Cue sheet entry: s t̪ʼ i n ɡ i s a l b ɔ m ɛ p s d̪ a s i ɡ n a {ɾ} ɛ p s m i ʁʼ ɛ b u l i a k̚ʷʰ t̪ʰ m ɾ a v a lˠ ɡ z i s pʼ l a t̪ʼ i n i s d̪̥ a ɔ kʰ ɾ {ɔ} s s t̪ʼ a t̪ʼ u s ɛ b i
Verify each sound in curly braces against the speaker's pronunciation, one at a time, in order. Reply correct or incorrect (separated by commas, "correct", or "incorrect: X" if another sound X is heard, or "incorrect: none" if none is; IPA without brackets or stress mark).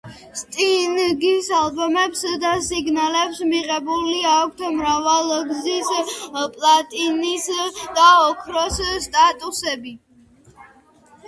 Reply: incorrect: l, correct